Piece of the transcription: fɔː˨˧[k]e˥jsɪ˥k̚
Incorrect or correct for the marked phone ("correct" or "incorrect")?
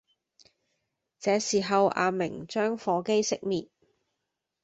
correct